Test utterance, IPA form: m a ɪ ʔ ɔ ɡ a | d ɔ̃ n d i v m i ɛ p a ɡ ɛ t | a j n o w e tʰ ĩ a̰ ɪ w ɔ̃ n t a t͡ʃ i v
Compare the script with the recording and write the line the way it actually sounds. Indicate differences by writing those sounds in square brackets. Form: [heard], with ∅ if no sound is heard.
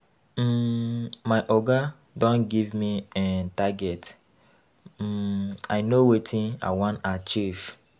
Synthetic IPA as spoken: m a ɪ ʔ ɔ ɡ a | d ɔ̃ n [ɡ] i v m i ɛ [t] a ɡ ɛ t | a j n o w e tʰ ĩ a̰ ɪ w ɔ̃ n t a t͡ʃ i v